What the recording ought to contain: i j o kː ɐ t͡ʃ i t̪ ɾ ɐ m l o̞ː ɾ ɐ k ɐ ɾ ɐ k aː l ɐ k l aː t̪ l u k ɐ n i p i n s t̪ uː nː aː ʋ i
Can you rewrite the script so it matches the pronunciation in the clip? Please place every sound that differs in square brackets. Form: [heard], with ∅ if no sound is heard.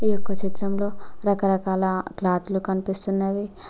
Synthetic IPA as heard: i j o kː ɐ t͡ʃ i t̪ ɾ ɐ m l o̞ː ɾ ɐ k ɐ ɾ ɐ k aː l ɐ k l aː t̪ l u k ɐ n i p i [∅] s t̪ [u] nː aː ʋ i